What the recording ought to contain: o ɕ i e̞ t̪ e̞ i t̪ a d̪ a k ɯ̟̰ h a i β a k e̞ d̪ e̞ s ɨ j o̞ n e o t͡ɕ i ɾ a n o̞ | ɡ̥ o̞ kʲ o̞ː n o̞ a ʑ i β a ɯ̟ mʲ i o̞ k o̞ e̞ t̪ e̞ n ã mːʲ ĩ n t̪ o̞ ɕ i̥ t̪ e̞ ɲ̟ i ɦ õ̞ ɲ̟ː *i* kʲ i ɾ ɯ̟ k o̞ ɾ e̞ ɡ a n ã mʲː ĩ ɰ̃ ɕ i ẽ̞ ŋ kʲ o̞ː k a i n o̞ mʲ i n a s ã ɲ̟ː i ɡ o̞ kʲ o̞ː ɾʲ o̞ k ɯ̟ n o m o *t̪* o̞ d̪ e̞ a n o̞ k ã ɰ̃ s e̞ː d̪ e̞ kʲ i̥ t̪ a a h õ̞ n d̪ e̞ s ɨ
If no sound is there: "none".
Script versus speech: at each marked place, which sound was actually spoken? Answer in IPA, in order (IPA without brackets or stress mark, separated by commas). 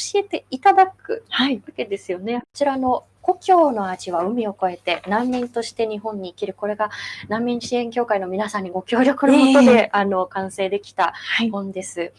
iː, t̪